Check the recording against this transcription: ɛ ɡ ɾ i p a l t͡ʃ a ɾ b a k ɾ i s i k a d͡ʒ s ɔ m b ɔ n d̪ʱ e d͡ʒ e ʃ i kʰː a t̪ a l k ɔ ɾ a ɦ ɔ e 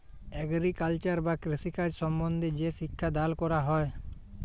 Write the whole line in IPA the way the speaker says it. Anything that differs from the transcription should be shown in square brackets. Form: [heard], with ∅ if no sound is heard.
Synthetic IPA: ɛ ɡ ɾ i [k] a l t͡ʃ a ɾ b a k ɾ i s i k a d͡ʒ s ɔ m b ɔ n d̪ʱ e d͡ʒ e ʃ i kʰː a [d̪] a l k ɔ ɾ a ɦ ɔ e